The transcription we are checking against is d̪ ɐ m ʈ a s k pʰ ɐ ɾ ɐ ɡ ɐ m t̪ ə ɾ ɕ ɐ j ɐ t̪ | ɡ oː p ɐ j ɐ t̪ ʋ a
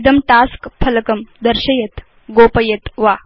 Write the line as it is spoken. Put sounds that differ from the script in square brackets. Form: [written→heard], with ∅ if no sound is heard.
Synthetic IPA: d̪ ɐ m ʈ a s k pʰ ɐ [ɾ→l] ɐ [ɡ→k] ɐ m [t̪→d̪] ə ɾ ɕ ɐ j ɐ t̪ | ɡ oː p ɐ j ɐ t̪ ʋ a